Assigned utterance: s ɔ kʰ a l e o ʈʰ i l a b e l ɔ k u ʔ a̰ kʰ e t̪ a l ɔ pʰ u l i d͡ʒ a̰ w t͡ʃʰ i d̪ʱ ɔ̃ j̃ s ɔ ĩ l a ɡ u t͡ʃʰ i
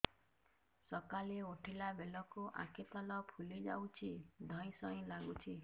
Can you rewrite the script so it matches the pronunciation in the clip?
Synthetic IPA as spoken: s ɔ k a l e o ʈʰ i l a b e l ɔ k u ʔ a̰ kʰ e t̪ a l ɔ pʰ u l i d͡ʒ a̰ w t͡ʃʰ i d̪ʱ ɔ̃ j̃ s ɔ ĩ l a ɡ u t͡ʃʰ i